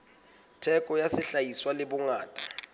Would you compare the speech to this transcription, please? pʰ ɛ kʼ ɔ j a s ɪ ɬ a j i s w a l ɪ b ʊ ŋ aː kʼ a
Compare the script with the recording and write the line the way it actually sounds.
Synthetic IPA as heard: tʰ ɛ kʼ ɔ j a s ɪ ɬ a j i s w a l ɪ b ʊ ŋ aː tʼ a